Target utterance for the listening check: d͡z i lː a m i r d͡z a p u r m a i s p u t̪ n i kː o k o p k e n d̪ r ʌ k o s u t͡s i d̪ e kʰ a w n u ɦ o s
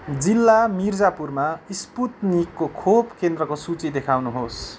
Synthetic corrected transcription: d͡z i lː a m i r d͡z a p u r m a i s p u t̪ n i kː o kʰ o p k e n d̪ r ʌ k o s u t͡s i d̪ e kʰ a w n u ɦ o s